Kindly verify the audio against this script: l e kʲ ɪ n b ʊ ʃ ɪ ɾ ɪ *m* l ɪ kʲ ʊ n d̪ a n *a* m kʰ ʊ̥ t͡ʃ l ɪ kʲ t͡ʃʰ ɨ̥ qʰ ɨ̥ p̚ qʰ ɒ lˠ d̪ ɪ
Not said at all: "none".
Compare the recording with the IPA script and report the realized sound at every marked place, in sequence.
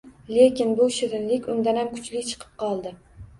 n, a

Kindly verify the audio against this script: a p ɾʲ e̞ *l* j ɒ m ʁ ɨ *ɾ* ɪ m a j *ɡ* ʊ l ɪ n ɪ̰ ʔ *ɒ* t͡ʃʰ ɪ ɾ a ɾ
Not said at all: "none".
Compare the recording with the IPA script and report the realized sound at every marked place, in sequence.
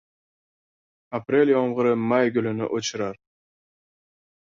l, ɾ, ɡ, o

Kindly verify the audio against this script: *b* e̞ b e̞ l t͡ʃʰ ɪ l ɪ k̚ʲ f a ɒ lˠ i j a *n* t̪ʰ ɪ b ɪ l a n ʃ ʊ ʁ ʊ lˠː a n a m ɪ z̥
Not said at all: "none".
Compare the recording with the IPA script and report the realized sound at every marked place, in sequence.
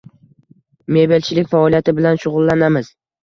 m, none

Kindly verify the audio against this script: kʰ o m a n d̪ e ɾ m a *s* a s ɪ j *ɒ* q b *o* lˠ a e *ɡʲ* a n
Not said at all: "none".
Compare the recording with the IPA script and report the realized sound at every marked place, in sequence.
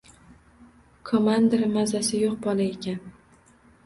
z, o, ɒ, kʲ

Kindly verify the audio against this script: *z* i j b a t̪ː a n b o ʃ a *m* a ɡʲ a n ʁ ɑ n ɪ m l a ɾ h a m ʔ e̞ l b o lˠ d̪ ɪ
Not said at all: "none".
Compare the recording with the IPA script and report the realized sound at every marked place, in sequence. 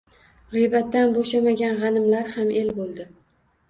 ʁ, m

